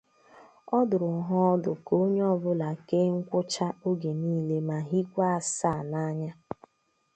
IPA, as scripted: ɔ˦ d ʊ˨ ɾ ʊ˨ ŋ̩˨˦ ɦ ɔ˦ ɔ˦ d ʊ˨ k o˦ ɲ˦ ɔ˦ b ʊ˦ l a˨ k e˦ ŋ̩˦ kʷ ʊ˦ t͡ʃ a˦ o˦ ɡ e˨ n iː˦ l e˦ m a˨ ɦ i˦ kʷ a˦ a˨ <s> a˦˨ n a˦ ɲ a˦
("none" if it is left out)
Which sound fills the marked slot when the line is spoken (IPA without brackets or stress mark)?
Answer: s